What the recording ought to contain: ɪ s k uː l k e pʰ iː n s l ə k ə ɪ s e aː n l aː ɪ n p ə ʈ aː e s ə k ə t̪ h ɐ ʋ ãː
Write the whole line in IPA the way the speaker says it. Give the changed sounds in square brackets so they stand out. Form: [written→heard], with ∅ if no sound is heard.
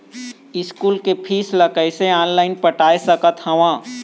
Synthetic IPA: ɪ s k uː l k e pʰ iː [n→∅] s l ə k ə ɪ s e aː n l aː ɪ n p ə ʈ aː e s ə k ə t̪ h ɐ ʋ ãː